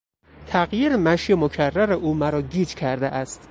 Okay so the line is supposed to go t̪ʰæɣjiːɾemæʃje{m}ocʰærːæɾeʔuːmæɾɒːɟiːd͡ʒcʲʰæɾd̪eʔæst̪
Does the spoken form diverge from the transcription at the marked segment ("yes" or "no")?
no